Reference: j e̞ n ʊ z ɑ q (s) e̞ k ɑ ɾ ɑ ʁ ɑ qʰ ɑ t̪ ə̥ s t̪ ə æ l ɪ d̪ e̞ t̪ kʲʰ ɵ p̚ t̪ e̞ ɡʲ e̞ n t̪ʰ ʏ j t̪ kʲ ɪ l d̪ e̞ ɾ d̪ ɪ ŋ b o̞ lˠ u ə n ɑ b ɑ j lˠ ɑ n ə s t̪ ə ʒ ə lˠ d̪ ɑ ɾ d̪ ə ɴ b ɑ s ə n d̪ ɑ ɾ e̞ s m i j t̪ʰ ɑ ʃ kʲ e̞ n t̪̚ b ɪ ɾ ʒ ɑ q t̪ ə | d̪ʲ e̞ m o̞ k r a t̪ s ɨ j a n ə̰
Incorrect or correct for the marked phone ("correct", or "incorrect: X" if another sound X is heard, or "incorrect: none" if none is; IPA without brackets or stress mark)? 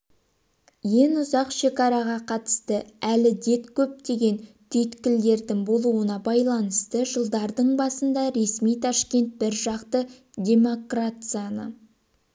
incorrect: ʃ